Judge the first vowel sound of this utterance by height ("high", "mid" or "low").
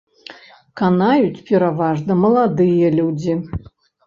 low